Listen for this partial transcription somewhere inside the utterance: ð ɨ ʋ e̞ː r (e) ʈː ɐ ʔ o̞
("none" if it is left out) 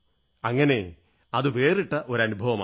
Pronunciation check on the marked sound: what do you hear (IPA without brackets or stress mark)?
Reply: i